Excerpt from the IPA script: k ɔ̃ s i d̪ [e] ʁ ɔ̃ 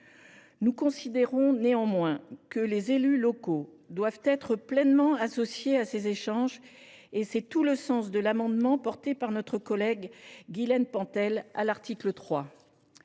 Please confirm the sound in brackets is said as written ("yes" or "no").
yes